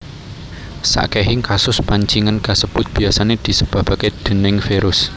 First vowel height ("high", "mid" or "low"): low